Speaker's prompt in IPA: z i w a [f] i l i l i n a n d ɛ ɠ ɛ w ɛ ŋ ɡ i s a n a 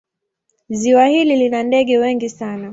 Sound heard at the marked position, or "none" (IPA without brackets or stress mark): h